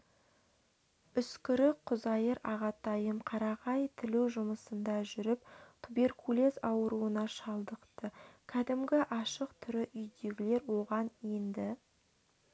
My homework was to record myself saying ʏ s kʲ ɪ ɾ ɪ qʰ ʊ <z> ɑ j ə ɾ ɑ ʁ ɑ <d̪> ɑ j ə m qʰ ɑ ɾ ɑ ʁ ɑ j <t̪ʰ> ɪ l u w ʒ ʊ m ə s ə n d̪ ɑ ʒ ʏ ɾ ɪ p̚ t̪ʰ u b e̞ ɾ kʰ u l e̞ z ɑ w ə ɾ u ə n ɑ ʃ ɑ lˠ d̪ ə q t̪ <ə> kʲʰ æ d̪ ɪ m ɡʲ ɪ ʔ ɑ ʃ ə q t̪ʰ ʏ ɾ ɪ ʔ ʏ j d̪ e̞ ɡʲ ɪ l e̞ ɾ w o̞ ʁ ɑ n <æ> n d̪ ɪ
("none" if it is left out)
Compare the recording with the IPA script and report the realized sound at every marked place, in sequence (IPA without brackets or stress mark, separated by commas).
z, t̪, t̪ʰ, ə, e